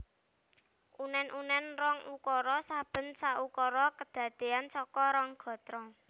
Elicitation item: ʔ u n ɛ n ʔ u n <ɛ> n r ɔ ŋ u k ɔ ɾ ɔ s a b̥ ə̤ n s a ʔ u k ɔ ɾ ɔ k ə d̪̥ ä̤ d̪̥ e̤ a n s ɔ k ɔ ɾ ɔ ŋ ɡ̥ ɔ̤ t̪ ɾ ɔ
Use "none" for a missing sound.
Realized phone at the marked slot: ɛ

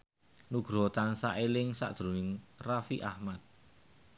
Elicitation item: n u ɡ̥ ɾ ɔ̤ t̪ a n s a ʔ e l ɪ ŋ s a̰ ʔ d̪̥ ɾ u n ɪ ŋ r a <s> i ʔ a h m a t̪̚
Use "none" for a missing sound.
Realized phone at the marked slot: f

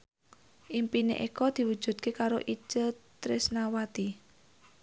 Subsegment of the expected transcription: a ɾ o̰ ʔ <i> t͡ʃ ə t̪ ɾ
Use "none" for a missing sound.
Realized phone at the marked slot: i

